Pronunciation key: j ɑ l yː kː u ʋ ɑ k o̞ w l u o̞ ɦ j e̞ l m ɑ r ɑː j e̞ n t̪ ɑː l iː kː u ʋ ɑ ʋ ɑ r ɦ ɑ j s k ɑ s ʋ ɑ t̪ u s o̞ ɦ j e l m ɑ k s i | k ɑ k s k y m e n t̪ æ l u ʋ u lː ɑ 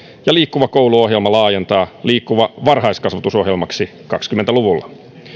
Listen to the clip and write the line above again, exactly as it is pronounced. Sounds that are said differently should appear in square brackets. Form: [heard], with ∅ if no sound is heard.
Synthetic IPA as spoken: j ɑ l [iː] kː u ʋ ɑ k o̞ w l u o̞ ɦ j e̞ l m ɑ [l] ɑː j e̞ n t̪ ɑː l iː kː u ʋ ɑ ʋ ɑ r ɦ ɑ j s k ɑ s ʋ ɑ t̪ u s o̞ ɦ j e l m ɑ k s i | k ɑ k s k y m e n t̪ æ l u ʋ u lː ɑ